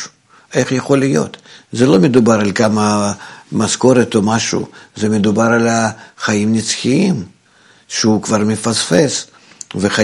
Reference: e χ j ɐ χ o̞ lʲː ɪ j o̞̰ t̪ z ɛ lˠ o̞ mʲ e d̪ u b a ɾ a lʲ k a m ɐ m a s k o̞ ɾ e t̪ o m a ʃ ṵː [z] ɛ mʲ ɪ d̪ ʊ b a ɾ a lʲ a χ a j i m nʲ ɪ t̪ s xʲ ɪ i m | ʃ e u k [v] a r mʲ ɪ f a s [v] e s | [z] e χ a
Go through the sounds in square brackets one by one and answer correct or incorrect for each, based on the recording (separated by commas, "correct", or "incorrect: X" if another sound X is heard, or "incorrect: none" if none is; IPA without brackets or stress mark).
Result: correct, correct, incorrect: f, incorrect: v